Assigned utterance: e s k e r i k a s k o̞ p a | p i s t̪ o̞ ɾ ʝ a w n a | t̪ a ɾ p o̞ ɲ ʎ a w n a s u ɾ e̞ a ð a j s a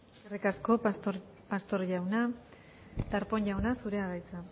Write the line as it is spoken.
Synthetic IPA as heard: e s k e r i k a s k o̞ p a | p a s t̪ o̞ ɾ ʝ a w n a | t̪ a ɾ p o̞ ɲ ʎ a w n a s u ɾ e̞ a ɣ a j t͡s a